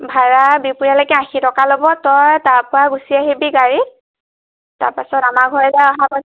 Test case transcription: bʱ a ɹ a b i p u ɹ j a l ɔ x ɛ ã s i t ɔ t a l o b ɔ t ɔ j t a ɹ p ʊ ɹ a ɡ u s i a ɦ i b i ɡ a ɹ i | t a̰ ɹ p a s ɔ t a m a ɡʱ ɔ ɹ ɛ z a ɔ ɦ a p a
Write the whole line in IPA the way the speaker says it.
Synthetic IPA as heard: bʱ a ɹ a b i p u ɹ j a l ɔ k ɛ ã x i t ɔ k a l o b ɔ t ɔ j t a ɹ p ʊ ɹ a ɡ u s i a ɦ i b i ɡ a ɹ i | t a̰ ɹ p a s ɔ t a m a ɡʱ ɔ ɹ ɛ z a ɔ ɦ a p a